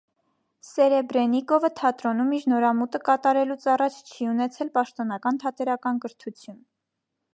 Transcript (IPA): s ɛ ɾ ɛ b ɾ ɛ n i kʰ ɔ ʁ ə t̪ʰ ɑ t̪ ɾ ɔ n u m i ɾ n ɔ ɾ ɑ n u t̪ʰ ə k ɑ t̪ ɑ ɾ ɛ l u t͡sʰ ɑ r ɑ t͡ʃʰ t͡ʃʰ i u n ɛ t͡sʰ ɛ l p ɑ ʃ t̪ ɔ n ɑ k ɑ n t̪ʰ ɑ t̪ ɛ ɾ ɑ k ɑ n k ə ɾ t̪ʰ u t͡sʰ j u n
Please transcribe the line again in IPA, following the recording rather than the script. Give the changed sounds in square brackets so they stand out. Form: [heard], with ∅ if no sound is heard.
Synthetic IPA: s ɛ ɾ ɛ b ɾ ɛ n i [k] ɔ [v] ə t̪ʰ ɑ t̪ ɾ ɔ n u m i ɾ n ɔ ɾ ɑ [m] u [t̪] ə k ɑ t̪ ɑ ɾ ɛ l u t͡sʰ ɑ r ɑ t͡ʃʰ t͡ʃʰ i u n ɛ t͡sʰ ɛ l p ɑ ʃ t̪ ɔ n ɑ k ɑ n t̪ʰ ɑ t̪ ɛ ɾ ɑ k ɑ n k ə ɾ t̪ʰ u t͡sʰ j u n